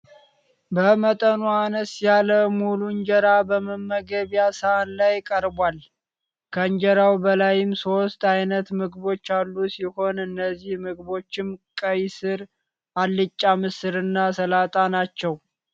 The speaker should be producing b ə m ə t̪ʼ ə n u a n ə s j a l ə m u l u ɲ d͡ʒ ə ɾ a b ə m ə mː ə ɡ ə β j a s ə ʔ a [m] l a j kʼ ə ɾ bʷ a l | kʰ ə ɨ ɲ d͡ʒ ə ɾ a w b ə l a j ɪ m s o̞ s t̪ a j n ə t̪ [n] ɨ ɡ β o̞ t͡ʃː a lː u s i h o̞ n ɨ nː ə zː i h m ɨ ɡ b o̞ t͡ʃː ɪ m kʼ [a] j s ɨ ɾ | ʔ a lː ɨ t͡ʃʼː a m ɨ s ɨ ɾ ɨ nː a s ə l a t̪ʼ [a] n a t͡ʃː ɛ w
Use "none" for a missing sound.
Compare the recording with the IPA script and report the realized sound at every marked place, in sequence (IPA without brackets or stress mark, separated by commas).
n, m, ə, a